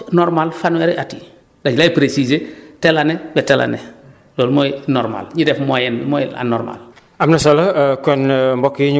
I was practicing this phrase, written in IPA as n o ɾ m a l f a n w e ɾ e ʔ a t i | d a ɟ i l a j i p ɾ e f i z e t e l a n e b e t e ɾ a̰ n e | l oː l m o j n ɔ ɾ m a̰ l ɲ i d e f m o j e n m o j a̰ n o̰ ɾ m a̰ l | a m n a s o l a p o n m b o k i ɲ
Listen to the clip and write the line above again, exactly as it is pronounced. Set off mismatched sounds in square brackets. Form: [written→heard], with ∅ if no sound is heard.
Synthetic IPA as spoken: n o ɾ m a l f a n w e ɾ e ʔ a t i | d a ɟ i l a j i p ɾ e [f→s] i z e t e l a n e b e t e [ɾ→l] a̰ n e | l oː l m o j n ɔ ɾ m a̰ l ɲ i d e f m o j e n m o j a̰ n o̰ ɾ m a̰ l | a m n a s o l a [p→k] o n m b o k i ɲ